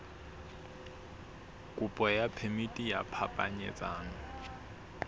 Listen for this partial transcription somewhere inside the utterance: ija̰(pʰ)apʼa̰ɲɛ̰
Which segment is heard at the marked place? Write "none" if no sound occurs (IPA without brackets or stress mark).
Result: pʰ